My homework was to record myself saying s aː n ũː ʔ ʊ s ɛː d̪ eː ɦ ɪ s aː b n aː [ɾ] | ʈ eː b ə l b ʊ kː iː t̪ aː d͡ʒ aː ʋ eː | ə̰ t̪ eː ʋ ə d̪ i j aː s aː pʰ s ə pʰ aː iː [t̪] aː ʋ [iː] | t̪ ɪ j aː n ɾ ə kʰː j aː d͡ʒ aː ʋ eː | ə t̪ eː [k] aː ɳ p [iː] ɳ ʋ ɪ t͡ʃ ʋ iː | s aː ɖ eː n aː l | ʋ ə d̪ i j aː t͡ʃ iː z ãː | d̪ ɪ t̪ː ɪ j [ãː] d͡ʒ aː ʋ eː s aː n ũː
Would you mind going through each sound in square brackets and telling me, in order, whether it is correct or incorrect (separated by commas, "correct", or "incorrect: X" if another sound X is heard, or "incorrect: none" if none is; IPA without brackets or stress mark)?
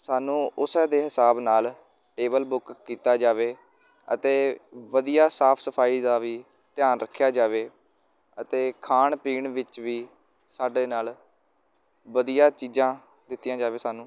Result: incorrect: l, incorrect: d̪, correct, incorrect: kʰ, correct, correct